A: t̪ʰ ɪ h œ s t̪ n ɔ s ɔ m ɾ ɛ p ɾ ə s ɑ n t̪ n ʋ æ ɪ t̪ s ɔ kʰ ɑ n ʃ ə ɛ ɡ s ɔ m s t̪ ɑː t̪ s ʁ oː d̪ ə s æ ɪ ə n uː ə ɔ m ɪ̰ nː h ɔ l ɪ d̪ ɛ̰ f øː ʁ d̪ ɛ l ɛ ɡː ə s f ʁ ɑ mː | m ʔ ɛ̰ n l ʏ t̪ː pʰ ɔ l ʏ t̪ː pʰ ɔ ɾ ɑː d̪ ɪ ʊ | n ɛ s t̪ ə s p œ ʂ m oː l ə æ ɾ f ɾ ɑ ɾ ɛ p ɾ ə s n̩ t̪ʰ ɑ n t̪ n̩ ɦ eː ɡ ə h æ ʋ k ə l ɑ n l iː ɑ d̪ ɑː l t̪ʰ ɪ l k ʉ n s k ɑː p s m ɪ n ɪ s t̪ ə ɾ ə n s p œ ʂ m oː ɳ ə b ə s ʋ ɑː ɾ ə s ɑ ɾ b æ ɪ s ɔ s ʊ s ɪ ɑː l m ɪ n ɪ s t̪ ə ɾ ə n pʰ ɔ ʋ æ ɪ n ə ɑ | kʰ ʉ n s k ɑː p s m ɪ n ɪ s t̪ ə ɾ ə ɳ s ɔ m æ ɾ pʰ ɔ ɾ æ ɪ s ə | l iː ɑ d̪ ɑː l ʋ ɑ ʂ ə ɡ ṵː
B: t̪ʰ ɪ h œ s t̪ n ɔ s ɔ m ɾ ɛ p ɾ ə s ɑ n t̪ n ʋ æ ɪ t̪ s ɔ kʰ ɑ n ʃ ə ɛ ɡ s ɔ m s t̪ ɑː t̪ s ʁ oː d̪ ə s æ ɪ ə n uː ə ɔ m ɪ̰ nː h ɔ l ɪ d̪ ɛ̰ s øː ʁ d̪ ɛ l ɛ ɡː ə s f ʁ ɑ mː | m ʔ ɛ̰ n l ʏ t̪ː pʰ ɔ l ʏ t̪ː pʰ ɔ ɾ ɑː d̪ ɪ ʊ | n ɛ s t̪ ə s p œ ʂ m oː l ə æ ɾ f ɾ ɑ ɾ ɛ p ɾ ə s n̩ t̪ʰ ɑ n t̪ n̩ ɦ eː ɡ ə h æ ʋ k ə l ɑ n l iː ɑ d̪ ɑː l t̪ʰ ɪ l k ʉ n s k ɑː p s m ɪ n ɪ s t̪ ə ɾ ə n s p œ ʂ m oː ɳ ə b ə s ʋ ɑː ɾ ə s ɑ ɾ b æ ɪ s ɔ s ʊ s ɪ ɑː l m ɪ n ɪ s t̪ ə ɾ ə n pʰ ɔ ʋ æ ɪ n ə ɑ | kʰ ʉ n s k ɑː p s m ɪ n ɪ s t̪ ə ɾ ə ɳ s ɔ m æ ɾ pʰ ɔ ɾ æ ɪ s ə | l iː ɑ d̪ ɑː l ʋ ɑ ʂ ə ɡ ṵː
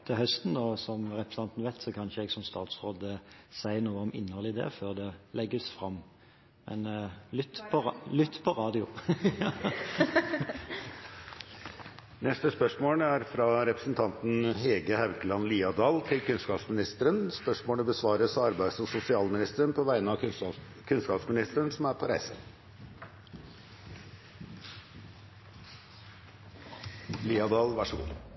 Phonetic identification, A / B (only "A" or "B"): A